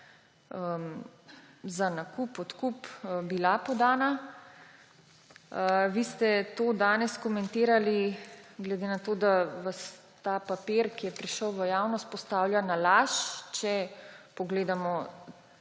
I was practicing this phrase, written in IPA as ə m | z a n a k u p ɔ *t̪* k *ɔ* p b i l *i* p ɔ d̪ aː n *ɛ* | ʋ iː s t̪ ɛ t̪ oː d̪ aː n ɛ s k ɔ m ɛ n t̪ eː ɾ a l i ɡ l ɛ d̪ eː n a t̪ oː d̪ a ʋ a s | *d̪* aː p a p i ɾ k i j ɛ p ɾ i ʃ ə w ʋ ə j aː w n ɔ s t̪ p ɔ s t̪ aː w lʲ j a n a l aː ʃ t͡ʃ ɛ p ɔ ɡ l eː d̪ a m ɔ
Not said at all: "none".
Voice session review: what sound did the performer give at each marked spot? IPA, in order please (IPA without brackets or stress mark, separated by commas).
t̪, u, a, a, t̪